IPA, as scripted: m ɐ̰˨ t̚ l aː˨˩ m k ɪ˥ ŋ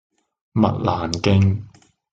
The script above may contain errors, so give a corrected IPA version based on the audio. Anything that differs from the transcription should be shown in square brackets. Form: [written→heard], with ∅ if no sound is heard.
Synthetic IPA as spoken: m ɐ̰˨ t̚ l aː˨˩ [m→n] k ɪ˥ ŋ